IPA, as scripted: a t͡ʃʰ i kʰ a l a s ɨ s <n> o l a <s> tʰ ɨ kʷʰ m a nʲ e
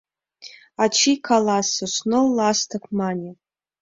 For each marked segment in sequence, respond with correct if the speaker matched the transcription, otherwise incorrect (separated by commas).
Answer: correct, correct